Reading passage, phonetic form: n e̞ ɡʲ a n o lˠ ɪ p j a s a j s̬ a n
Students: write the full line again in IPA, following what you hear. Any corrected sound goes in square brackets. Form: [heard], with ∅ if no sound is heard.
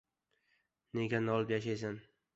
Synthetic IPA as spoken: n e̞ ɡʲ a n [ɒ] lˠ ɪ p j a [ʃ] a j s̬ a n